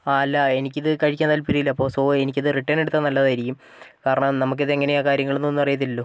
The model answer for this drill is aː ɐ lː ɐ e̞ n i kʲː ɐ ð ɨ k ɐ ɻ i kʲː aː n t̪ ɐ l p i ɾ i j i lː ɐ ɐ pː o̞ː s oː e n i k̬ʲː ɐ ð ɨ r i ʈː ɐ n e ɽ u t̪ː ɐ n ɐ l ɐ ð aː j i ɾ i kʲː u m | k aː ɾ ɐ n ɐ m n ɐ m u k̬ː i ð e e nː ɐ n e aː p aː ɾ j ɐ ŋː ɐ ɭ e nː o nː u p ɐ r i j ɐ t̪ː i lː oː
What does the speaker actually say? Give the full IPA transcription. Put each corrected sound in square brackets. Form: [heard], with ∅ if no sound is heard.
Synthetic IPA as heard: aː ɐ lː ɐ e̞ n i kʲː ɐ ð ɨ k ɐ ɻ i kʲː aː n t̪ ɐ l p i ɾ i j i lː ɐ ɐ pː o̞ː s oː e n i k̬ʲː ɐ ð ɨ r i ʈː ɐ n e ɽ u t̪ː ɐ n ɐ [lː] ɐ ð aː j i ɾ i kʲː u m | k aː ɾ ɐ [ɳ] ɐ m n ɐ m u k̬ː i ð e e [ŋː] ɐ n e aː [k] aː ɾ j ɐ ŋː ɐ ɭ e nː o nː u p ɐ r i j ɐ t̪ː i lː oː